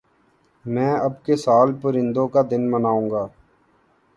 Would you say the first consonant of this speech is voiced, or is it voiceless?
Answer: voiced